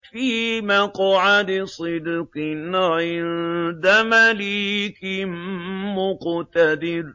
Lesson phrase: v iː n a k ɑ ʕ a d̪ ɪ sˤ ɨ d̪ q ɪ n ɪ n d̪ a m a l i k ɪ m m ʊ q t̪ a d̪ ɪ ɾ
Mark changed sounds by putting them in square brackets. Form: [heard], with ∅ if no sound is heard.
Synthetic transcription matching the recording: [f] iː [m] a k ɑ ʕ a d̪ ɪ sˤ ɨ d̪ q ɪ n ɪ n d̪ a m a l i k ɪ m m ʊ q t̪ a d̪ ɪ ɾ